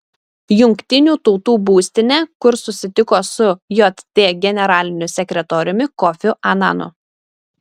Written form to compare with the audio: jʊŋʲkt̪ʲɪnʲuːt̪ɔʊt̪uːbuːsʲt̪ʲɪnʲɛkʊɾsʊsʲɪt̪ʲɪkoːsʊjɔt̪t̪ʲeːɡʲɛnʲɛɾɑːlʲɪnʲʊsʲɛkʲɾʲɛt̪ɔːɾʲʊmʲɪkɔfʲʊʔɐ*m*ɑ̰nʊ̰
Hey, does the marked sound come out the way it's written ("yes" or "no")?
no